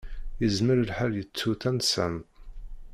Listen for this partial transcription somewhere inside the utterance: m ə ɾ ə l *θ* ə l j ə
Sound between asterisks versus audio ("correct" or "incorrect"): incorrect